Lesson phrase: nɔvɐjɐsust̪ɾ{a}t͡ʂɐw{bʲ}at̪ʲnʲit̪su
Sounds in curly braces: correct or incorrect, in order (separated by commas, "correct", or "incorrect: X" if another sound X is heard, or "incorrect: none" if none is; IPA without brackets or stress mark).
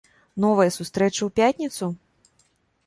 incorrect: ɛ, incorrect: pʲ